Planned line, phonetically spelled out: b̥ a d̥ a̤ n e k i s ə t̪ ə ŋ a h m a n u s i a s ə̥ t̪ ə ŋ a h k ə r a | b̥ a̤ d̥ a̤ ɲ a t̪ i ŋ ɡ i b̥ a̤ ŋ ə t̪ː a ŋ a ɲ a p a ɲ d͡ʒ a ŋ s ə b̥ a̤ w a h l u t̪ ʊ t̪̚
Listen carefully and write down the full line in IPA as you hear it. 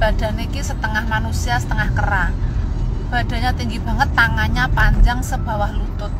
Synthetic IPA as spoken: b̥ a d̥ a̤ n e k i s ə t̪ ə ŋ a h m a n u s i a s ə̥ t̪ ə ŋ a h k ə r a | b̥ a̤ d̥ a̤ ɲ a t̪ i ŋ ɡ i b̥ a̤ ŋ ə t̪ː a ŋ a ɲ a p a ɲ d͡ʒ a ŋ s ə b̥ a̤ w a h l u t̪ ʊ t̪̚